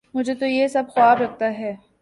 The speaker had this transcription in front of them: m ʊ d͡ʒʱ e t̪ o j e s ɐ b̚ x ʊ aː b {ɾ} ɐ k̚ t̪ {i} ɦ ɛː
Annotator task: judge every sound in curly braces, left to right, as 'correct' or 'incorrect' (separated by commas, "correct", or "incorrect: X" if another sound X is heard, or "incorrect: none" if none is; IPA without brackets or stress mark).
correct, incorrect: a